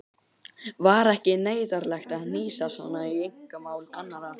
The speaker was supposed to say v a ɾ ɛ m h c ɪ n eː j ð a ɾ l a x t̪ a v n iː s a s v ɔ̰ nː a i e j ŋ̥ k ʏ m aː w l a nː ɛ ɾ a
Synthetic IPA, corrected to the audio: v a ɾ ɛ h c ɪ n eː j ð a ɾ l ɛ x t̪ a ð n iː s a s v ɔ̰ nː a i e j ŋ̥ k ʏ m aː w l a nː a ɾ a